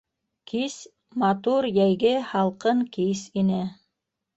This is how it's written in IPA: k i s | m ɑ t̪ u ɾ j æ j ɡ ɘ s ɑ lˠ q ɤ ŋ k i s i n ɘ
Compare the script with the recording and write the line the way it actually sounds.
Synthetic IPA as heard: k i s | m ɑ t̪ u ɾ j æ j ɡ ɘ h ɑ lˠ q ɤ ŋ k i s i n ɘ